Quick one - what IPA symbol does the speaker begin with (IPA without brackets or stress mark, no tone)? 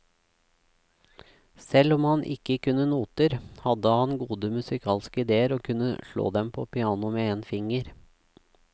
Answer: s